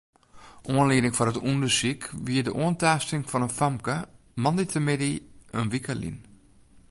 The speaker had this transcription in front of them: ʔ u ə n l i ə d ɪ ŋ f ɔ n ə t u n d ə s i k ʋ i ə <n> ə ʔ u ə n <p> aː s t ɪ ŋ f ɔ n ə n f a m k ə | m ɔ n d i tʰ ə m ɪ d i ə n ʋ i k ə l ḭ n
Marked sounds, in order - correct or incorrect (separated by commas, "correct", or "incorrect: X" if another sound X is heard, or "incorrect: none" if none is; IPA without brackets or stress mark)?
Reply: incorrect: d, incorrect: t